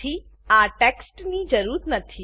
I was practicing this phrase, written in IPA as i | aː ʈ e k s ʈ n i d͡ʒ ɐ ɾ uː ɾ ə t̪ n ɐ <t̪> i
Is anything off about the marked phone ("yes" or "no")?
yes